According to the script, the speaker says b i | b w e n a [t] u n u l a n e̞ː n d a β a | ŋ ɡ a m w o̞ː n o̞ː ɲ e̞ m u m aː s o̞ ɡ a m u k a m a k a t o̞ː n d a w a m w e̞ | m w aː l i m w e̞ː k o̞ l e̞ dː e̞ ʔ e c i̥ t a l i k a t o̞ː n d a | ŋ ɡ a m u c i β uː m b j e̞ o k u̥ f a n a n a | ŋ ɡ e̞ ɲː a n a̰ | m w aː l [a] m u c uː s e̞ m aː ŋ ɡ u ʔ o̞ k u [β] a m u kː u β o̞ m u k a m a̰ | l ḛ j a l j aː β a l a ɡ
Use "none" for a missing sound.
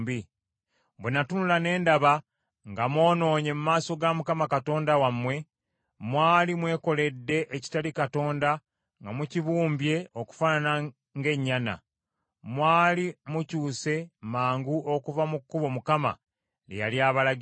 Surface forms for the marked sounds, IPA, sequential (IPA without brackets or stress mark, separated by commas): t, i, v